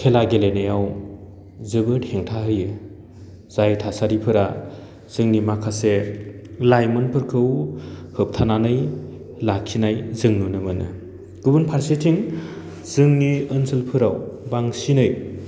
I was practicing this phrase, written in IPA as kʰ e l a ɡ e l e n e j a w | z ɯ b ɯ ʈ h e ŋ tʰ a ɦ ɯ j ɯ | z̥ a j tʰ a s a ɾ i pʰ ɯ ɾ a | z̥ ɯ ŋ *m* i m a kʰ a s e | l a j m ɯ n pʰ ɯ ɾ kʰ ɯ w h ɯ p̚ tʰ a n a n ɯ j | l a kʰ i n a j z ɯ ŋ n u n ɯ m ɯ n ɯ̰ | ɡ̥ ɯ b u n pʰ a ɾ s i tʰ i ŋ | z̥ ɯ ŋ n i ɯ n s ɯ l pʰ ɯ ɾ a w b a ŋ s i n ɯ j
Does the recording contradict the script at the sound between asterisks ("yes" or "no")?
yes